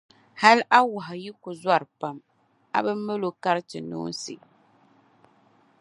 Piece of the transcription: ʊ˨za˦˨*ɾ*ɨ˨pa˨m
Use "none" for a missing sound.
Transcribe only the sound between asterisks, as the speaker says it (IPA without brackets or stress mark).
ɾ